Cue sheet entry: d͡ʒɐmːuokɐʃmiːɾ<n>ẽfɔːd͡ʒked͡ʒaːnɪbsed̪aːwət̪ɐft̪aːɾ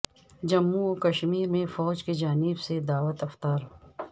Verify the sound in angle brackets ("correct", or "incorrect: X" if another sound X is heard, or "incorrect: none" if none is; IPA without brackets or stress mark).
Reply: incorrect: m